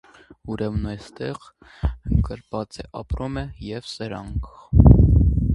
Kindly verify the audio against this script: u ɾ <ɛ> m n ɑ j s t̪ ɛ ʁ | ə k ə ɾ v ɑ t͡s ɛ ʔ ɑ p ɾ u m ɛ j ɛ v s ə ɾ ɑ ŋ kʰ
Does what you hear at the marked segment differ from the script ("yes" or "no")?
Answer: no